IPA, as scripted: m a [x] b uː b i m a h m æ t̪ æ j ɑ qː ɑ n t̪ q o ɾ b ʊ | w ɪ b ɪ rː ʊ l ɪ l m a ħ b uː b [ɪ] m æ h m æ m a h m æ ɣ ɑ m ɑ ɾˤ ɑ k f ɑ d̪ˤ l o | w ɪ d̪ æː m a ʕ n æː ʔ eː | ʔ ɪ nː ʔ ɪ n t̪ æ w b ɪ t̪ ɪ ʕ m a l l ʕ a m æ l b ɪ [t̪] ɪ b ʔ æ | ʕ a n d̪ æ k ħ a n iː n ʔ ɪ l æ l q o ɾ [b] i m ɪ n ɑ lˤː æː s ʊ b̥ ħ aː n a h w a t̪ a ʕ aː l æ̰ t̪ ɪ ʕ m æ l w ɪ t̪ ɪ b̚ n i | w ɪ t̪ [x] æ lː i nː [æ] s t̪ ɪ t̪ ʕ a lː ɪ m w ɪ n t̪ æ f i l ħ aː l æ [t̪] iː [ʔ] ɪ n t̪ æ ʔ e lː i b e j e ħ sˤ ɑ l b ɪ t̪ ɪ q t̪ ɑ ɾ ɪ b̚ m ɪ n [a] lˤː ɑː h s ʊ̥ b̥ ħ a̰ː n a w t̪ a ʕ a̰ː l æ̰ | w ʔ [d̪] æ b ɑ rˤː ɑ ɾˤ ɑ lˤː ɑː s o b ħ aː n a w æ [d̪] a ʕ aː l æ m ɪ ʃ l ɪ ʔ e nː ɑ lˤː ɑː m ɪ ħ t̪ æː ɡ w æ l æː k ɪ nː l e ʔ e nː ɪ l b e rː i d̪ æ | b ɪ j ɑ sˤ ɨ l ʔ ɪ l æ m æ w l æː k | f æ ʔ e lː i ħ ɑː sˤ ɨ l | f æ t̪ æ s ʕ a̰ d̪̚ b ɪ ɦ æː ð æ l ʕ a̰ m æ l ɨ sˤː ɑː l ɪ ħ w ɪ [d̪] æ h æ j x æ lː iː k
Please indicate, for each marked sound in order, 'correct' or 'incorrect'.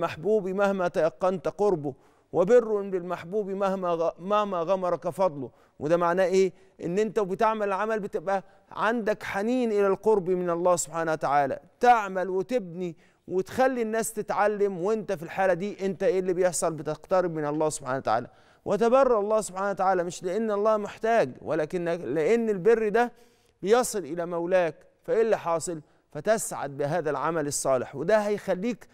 incorrect: ħ, incorrect: i, correct, correct, correct, incorrect: æː, incorrect: d̪, correct, incorrect: ɑ, incorrect: t̪, incorrect: t̪, correct

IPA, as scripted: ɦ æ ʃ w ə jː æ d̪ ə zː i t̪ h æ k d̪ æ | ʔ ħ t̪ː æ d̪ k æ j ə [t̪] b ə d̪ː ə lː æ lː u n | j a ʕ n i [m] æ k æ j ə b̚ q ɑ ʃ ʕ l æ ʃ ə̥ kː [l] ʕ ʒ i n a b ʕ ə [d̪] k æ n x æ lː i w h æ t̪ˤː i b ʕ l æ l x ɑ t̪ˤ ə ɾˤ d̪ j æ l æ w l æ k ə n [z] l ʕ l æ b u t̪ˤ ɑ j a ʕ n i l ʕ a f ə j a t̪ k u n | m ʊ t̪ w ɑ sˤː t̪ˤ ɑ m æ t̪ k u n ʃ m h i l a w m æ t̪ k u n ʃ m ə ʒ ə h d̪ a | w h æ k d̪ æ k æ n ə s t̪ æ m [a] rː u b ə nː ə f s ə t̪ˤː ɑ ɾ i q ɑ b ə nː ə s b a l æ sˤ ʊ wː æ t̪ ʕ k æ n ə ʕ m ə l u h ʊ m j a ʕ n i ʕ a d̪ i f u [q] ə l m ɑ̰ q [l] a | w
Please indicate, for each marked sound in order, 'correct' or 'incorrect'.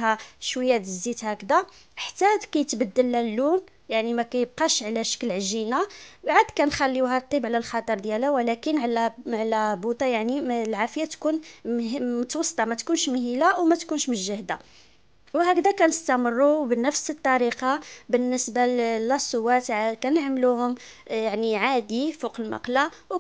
correct, correct, correct, correct, incorrect: ʕ, incorrect: ə, correct, correct

